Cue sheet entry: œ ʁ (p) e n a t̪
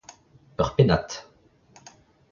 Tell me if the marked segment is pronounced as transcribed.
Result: yes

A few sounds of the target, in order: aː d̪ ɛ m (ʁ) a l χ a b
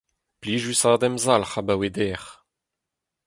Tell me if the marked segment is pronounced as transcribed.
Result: no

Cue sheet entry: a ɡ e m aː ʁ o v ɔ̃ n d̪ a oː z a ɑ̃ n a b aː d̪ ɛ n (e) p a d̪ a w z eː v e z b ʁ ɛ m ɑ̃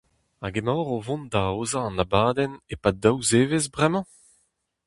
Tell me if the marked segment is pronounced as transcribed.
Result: yes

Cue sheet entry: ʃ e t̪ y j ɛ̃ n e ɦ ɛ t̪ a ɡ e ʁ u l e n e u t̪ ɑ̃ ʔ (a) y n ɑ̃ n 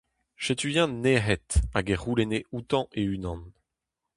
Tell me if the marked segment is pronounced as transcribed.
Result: no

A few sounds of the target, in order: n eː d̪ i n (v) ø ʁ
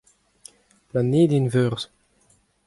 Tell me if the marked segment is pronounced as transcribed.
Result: yes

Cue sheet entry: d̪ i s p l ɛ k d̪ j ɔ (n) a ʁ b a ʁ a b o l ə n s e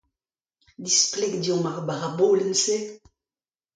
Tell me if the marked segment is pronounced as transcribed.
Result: no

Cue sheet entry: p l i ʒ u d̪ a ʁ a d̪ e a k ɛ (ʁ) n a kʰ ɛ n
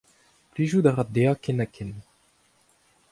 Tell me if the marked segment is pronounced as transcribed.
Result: no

